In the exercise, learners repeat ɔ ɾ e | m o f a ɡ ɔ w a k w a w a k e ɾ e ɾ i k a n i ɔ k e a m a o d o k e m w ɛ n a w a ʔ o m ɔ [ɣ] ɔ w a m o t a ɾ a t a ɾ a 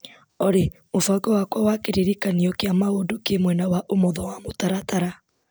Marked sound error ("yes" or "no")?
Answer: yes